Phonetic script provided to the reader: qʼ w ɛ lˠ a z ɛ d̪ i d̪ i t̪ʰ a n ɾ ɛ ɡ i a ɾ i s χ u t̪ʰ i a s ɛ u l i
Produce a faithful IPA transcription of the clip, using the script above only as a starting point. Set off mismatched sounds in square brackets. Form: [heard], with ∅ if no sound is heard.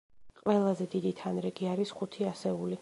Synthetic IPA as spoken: qʼ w ɛ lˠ a z ɛ d̪ i d̪ i t̪ʰ a n ɾ ɛ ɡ i a ɾ i s χ u t̪ʰ i a s ɛ u l i